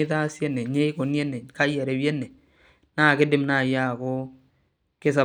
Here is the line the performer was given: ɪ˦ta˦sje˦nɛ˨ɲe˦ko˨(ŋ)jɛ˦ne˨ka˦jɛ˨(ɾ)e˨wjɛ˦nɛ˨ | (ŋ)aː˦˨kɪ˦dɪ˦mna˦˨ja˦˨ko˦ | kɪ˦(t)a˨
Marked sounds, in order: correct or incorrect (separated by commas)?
incorrect, correct, incorrect, incorrect